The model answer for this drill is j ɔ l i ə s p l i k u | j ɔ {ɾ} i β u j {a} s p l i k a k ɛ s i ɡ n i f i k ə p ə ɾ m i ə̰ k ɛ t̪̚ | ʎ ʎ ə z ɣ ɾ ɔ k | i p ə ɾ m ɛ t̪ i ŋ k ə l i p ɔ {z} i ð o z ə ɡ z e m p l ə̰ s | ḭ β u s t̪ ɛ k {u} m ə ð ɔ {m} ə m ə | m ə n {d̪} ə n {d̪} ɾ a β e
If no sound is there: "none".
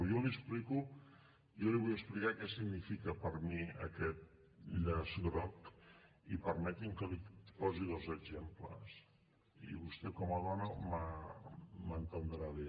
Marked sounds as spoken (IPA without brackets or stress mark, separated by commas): l, ə, z, ɔ, n, t̪, d̪